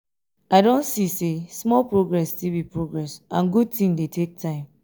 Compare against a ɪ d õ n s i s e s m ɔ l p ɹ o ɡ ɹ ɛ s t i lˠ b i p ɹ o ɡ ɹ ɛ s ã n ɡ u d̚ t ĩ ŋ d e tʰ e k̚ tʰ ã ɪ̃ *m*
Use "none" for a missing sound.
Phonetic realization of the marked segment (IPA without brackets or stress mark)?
m